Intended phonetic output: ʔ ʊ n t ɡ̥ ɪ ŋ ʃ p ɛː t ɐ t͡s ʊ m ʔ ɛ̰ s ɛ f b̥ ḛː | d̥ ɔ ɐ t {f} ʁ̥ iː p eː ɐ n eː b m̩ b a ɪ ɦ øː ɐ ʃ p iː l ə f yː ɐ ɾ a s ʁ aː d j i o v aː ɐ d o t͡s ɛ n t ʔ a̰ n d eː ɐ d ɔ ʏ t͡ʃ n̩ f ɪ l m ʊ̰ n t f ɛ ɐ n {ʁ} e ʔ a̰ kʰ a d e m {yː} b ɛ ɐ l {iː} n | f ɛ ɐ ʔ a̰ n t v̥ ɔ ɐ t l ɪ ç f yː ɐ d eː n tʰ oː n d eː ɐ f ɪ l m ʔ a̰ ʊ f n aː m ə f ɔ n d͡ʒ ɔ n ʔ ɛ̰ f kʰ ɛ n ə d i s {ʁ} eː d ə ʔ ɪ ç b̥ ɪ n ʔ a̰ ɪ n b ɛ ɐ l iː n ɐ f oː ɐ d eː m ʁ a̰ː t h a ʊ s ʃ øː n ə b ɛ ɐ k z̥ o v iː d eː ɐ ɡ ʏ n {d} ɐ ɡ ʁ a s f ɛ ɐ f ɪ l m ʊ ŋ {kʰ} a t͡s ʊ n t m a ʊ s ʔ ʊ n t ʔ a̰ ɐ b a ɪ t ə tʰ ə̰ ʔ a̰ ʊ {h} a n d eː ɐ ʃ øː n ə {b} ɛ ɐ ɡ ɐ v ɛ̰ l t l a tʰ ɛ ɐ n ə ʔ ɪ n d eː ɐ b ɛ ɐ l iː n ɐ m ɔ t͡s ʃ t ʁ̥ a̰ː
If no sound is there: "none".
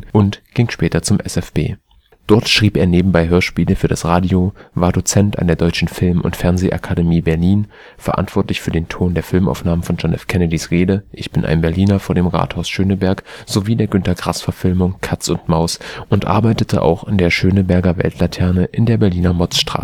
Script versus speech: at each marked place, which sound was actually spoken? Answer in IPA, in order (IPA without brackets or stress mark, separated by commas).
ʃ, z, iː, iː, ʁ, t, kʰ, x, b